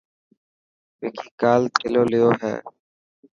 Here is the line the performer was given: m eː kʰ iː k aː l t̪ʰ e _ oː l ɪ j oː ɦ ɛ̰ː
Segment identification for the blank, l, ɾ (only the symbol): l